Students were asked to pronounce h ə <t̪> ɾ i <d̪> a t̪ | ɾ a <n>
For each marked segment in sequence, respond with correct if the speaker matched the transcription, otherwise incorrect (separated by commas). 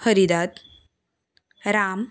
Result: incorrect, correct, incorrect